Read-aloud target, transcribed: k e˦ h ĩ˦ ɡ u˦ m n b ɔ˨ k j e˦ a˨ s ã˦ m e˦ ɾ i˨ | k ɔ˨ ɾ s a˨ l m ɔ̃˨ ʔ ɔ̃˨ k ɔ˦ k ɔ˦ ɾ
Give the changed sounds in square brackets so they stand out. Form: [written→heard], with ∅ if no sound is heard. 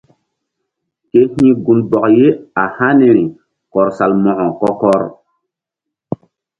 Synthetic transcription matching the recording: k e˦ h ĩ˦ ɡ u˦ [m→∅] n b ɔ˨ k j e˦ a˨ [s→h] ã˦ [m→n] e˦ ɾ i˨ | k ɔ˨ ɾ s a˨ l m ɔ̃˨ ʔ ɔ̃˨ k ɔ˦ k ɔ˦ ɾ